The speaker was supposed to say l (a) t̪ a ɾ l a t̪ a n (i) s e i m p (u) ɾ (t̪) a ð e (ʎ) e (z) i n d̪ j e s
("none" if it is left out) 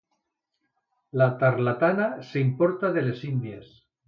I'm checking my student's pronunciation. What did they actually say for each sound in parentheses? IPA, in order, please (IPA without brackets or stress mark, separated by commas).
a, a, o, t̪, l, s